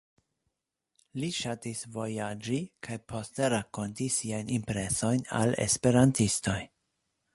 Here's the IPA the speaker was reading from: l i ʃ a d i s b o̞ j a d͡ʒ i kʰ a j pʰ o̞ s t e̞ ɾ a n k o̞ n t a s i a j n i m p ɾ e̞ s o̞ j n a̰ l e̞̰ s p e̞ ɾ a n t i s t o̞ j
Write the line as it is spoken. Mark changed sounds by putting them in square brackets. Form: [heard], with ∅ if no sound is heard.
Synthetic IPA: l i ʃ a [t] i s [v] o̞ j a d͡ʒ i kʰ a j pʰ o̞ s t e̞ ɾ a [∅] k o̞ n t [i] s i a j n i m p ɾ e̞ s o̞ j n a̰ l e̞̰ s p e̞ ɾ a n t i s t o̞ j